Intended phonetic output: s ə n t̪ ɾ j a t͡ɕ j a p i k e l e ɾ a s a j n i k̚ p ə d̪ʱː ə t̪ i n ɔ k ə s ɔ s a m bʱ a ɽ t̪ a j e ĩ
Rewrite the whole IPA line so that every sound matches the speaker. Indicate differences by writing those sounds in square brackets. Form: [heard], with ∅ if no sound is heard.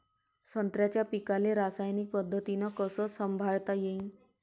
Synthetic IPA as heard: s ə n t̪ ɾ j a t͡ɕ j a p i k [a] l e ɾ a s a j n i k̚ p ə d̪ʱː ə t̪ i n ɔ k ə s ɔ s [ə] m bʱ a [ɭ] t̪ a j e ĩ